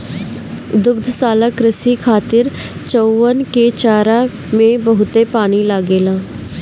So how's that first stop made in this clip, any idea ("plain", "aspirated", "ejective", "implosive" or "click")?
plain